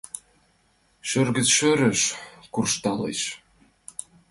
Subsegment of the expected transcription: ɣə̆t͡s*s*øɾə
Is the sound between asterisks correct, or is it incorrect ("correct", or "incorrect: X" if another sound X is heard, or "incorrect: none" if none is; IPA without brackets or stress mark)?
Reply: incorrect: ʃ